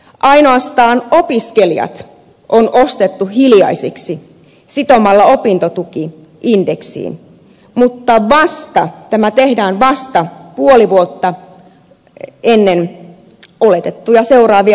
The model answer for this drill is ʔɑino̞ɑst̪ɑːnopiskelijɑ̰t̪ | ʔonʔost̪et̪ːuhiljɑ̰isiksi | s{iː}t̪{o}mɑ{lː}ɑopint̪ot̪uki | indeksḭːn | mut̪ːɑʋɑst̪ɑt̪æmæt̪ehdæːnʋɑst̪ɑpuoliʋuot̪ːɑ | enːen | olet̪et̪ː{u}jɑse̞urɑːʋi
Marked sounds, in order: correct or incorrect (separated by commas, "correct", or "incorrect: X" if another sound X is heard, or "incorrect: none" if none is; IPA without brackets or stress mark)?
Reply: incorrect: i, correct, correct, correct